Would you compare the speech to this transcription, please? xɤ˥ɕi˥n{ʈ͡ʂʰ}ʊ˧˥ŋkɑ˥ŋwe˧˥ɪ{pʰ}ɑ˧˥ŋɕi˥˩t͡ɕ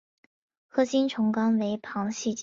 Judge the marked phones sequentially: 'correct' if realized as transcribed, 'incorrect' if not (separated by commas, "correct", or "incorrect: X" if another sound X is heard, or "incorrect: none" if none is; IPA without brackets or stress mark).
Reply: correct, correct